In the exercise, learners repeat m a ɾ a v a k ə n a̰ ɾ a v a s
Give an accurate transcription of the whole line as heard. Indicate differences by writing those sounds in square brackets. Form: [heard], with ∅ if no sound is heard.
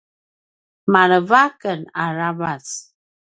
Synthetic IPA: m a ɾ [ə] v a k ə n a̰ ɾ a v a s